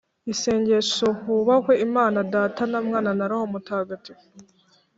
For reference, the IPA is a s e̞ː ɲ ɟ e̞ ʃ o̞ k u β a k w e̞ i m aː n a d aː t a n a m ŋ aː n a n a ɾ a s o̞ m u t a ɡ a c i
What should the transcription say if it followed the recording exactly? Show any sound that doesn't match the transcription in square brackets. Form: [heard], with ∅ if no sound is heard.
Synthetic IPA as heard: [i] s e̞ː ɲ ɟ e̞ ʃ o̞ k u β a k w e̞ i m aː n a d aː t a n a m ŋ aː n a n a ɾ a [h] o̞ m u t a ɡ a [t] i